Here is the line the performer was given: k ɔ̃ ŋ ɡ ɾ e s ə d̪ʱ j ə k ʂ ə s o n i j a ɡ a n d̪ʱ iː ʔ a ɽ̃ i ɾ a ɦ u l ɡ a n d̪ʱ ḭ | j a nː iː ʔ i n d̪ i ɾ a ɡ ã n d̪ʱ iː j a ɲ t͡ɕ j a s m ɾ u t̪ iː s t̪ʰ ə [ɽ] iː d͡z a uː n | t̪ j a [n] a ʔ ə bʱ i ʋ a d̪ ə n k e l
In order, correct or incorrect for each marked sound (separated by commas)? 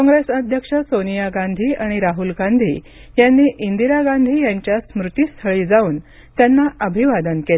incorrect, incorrect